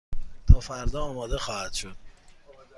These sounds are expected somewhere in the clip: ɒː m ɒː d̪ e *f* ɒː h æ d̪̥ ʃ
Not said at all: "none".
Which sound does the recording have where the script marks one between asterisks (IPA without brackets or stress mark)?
x